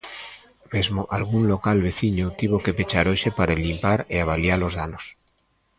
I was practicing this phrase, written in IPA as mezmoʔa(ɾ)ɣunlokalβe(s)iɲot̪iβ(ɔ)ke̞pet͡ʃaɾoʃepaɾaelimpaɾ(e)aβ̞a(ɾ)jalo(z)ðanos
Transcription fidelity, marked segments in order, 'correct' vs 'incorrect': incorrect: l, incorrect: θ, incorrect: o, correct, incorrect: l, correct

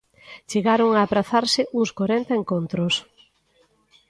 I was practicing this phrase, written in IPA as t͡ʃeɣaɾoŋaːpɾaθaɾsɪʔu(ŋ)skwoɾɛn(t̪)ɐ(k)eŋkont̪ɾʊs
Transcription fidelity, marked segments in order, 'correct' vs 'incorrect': correct, correct, incorrect: none

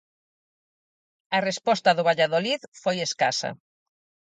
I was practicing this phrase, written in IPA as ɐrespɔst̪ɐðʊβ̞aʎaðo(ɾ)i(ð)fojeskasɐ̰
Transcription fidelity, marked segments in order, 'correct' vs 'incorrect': incorrect: l, correct

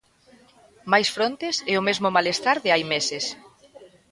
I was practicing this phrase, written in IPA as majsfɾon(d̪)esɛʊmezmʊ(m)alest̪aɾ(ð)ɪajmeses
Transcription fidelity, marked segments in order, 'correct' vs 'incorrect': incorrect: t̪, correct, correct

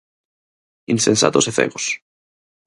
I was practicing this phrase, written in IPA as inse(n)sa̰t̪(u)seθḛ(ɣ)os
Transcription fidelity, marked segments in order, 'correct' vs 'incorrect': correct, incorrect: o, correct

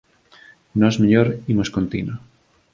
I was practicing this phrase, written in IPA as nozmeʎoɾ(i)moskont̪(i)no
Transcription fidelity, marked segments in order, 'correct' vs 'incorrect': correct, correct

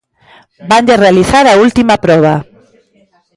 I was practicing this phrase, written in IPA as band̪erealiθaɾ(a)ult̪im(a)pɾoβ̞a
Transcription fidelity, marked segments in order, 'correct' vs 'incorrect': correct, correct

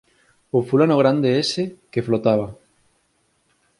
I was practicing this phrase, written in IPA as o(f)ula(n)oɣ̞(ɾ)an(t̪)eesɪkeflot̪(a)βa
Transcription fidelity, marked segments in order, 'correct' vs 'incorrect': correct, correct, correct, incorrect: d̪, correct

